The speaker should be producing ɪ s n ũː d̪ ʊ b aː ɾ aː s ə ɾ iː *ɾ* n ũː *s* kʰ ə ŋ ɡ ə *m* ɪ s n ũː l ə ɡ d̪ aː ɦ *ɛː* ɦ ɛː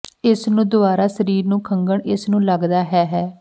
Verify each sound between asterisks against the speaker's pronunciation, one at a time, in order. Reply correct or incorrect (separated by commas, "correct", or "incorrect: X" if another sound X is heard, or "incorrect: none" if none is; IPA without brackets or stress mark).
correct, incorrect: none, incorrect: ɳ, correct